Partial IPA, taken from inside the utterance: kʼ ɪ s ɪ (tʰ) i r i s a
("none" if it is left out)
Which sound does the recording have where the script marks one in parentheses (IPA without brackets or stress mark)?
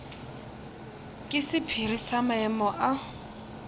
pʰ